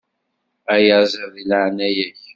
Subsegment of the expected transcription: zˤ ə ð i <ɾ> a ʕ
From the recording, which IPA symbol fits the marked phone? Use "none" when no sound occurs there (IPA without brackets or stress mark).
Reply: l